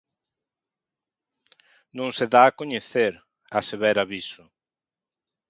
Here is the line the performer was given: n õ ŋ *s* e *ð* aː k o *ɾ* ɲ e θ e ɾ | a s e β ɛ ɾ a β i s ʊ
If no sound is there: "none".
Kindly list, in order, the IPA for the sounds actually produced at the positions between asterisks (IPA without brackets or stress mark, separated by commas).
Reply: s, ð, none